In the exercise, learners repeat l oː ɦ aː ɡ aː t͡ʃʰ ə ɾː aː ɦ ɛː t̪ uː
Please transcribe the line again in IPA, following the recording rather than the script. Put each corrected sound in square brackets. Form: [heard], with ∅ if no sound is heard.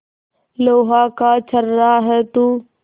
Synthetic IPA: l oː ɦ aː [k] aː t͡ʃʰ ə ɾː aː ɦ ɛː t̪ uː